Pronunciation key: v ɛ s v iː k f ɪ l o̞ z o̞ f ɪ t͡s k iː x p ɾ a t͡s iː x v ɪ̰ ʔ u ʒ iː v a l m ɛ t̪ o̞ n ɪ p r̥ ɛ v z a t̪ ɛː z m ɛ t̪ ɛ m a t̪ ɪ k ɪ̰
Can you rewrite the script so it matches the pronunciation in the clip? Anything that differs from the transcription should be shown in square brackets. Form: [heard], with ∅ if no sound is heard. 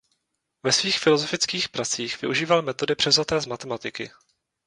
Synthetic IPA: v ɛ s v iː [x] f ɪ l o̞ z o̞ f ɪ t͡s k iː x p ɾ a t͡s iː x v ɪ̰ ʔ u ʒ iː v a l m ɛ t̪ o̞ [d] ɪ p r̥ ɛ v z a t̪ ɛː z m [a] t̪ ɛ m a t̪ ɪ k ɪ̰